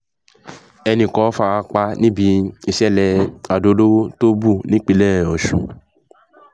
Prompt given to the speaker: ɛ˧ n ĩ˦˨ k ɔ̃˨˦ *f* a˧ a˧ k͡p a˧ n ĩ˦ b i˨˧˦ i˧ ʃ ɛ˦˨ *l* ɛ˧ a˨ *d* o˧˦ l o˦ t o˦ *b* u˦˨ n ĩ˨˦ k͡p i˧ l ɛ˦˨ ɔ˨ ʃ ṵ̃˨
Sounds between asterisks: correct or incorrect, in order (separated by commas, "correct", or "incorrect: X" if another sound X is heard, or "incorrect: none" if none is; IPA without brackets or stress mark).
correct, correct, correct, correct